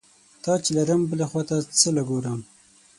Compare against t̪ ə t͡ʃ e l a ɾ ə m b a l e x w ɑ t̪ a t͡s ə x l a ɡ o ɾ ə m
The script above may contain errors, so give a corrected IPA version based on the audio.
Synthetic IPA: t̪ ɑ t͡ʃ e l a ɾ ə m b ə l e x w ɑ t̪ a t͡s ə l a ɡ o ɾ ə m